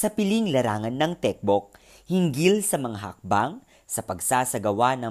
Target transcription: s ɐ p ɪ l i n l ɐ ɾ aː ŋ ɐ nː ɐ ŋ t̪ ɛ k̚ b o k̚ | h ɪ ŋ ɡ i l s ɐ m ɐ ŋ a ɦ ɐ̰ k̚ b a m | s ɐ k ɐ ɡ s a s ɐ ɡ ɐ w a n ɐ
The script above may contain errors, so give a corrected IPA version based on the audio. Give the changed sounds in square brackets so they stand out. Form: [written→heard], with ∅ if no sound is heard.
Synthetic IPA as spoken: s ɐ p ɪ l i [n→ŋ] l ɐ ɾ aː ŋ ɐ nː ɐ ŋ t̪ ɛ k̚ b o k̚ | h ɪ ŋ ɡ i l s ɐ m ɐ ŋ a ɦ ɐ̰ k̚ b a [m→ŋ] | s ɐ [k→p] ɐ ɡ s a s ɐ ɡ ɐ w a n ɐ